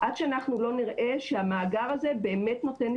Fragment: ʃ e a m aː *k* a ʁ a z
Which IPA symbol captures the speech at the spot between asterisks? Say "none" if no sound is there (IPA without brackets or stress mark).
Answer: ɡ